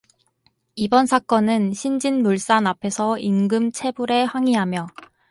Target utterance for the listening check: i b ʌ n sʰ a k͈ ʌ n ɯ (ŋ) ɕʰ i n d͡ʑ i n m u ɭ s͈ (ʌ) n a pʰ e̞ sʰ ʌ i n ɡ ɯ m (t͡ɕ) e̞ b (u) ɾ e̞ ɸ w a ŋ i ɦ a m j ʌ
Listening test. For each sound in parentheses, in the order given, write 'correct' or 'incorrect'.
incorrect, incorrect, incorrect, correct

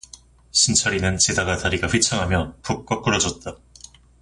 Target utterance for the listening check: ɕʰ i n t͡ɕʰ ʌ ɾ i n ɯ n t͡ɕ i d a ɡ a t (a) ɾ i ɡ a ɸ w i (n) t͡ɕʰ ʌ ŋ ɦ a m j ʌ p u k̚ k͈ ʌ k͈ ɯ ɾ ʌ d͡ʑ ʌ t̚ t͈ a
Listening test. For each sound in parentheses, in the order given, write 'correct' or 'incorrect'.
correct, incorrect

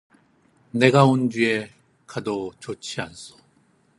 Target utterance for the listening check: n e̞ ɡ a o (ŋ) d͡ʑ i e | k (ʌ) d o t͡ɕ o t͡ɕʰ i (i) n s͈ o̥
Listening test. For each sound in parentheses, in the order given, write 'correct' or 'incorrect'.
incorrect, incorrect, incorrect

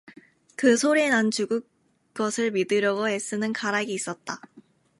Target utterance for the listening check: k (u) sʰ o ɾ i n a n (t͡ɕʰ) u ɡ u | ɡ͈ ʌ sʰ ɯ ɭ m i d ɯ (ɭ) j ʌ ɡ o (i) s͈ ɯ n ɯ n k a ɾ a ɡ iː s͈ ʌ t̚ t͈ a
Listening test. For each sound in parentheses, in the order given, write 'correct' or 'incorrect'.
incorrect, incorrect, incorrect, incorrect

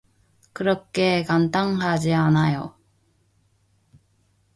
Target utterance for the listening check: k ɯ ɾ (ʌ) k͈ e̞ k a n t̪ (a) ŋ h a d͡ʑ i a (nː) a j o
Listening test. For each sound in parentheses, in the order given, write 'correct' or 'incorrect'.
correct, correct, incorrect

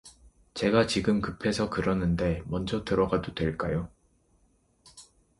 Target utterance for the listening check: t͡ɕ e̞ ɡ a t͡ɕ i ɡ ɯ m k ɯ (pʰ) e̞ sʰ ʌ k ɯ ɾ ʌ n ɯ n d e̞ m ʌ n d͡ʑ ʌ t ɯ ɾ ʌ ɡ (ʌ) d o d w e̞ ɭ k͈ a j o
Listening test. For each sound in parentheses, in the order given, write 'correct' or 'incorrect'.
correct, incorrect

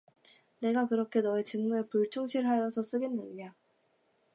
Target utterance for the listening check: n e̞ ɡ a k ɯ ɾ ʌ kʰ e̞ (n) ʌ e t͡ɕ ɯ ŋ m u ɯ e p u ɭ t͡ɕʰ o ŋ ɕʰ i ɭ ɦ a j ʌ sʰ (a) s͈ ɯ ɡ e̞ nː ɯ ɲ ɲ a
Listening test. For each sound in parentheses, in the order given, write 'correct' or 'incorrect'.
correct, incorrect

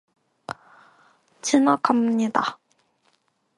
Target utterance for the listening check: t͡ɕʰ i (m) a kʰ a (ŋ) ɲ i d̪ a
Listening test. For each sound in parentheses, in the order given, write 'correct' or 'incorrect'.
incorrect, incorrect

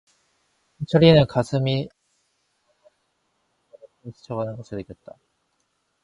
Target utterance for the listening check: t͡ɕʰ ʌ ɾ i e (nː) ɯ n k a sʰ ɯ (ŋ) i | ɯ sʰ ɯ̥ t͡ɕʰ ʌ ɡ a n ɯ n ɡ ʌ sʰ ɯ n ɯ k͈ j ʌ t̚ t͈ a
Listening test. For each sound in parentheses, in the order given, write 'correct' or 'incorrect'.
incorrect, incorrect

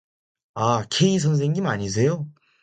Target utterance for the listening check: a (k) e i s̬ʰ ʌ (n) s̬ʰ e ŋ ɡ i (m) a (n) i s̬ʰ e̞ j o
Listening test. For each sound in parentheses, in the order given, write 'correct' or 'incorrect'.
incorrect, correct, correct, incorrect

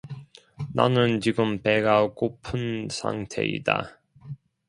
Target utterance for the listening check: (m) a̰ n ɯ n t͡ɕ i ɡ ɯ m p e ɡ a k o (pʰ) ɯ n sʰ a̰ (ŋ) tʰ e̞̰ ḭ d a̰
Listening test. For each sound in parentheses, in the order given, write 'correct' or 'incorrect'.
incorrect, correct, correct

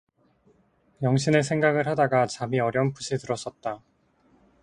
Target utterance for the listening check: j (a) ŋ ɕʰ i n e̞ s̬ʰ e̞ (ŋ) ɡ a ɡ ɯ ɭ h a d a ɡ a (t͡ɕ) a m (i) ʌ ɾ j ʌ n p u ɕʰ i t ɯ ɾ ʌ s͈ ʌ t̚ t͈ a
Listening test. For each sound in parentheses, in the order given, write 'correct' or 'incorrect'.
incorrect, correct, correct, correct

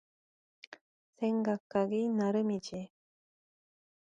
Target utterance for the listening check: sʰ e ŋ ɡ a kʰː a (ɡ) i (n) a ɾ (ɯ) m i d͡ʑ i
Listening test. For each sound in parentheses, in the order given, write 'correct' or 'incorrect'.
correct, correct, correct

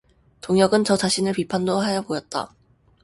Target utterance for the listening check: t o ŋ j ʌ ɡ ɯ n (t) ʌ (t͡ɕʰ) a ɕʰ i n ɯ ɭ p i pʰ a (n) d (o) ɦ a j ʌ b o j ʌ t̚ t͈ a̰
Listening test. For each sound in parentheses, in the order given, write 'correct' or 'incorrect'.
incorrect, incorrect, correct, correct

